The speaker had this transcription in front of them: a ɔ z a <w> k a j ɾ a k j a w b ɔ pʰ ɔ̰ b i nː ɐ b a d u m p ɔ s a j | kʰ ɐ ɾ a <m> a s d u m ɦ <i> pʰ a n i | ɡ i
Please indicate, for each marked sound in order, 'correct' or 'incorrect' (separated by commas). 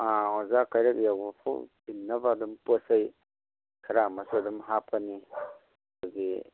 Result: incorrect, correct, incorrect